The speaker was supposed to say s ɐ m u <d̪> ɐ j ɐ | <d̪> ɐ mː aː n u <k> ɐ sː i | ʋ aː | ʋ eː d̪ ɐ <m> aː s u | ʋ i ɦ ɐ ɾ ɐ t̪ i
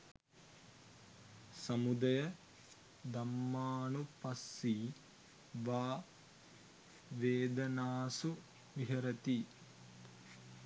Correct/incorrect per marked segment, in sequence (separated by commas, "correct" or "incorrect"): correct, correct, incorrect, incorrect